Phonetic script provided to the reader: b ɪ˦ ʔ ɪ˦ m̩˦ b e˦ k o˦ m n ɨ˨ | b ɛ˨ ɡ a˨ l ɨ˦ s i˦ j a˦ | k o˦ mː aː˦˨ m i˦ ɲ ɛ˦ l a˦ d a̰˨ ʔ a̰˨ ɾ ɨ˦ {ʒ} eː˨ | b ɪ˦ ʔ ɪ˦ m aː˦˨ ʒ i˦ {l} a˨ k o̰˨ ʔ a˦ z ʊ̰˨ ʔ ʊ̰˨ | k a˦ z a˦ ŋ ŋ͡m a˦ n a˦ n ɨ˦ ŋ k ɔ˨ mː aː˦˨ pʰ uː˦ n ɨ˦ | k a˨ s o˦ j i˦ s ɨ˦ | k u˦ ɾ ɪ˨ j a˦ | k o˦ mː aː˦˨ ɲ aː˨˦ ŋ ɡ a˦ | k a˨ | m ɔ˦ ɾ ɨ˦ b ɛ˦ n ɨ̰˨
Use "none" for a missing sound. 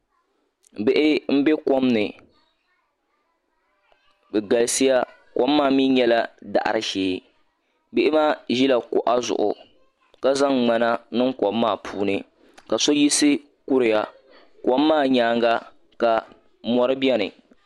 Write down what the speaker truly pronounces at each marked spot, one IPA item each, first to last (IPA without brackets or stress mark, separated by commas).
ʃ, l